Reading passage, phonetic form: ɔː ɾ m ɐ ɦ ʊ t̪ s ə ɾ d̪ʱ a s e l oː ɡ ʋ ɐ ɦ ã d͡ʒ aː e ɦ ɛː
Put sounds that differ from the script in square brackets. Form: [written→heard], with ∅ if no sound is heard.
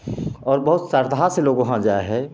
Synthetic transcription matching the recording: ɔː ɾ [m→b] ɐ ɦ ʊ t̪ s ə ɾ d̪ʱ a s e l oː ɡ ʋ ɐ ɦ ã d͡ʒ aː e ɦ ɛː